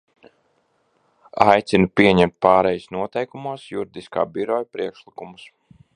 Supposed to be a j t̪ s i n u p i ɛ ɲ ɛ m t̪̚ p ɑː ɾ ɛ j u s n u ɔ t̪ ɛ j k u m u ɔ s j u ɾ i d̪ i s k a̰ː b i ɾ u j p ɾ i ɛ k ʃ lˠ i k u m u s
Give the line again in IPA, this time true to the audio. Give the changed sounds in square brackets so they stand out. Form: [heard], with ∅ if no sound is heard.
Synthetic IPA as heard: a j t̪ s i n u p i ɛ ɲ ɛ m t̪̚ p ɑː ɾ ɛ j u s n u ɔ t̪ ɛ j k u m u ɔ s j u ɾ i d̪ i s k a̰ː b i ɾ [ɔ] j p ɾ i ɛ k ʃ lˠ i k u m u s